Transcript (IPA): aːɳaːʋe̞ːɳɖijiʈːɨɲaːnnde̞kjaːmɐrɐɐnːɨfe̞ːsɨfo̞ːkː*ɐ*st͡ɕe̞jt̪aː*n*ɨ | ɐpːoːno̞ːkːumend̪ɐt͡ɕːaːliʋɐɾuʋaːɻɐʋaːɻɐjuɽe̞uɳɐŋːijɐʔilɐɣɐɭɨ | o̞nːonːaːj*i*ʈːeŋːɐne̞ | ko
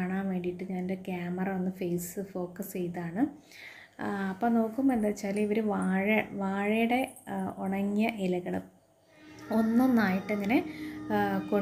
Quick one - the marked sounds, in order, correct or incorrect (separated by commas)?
correct, incorrect, correct